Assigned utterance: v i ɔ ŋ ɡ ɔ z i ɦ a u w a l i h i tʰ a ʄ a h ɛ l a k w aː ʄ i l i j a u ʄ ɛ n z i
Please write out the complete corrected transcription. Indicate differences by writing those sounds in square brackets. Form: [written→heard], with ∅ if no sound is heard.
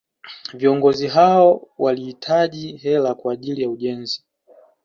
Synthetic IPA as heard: v i ɔ ŋ ɡ ɔ z i ɦ a [u→ɔ] w a l i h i tʰ a ʄ [a→i] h ɛ l a k w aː ʄ i l i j a u ʄ ɛ n z i